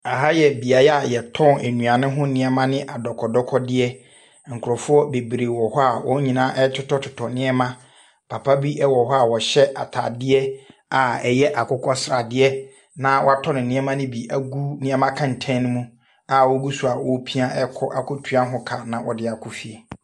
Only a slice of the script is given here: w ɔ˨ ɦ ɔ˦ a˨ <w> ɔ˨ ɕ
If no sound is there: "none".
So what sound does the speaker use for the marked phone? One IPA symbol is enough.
w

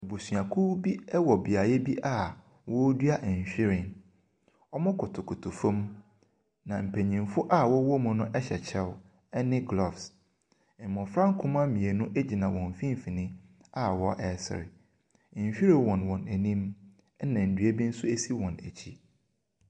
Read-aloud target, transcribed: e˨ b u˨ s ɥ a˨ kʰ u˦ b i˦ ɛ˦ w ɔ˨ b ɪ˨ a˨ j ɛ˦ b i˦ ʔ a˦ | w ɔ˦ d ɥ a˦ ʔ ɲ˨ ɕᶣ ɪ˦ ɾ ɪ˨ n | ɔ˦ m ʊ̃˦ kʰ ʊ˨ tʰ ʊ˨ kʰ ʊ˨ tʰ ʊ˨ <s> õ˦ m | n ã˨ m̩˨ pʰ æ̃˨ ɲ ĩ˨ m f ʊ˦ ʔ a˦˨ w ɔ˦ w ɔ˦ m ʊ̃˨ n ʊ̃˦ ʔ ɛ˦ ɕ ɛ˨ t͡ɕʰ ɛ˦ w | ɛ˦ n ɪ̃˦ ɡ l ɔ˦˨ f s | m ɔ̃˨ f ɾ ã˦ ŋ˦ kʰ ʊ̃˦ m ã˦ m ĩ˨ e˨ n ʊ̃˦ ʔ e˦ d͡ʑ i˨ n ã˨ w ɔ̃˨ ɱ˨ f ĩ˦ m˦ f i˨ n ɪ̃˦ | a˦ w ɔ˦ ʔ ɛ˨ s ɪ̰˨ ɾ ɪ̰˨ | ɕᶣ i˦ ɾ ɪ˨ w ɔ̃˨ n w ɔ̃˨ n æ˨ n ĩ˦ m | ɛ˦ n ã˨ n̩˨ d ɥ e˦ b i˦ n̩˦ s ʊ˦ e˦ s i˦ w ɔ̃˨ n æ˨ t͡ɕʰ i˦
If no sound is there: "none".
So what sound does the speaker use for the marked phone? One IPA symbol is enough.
f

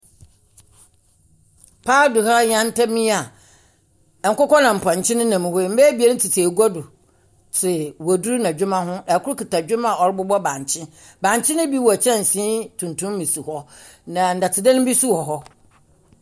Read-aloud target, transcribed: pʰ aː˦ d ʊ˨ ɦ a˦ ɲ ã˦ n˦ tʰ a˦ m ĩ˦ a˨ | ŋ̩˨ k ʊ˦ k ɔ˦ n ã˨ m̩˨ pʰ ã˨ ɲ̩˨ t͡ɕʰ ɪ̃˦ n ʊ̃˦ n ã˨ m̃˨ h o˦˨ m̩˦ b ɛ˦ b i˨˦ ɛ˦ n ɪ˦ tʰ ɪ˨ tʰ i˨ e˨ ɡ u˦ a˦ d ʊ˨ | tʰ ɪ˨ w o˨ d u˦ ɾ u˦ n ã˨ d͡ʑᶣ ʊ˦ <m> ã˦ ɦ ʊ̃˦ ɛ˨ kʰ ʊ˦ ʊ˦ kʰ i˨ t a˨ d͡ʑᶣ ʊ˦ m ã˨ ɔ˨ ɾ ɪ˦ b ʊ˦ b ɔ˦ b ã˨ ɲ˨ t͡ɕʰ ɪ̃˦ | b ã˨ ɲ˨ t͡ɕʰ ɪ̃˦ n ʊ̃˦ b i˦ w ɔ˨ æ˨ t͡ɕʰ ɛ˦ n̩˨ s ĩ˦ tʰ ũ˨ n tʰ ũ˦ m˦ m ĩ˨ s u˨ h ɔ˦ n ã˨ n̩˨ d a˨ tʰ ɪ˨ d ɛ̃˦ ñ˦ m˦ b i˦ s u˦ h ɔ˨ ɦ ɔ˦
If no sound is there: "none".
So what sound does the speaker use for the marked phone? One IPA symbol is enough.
m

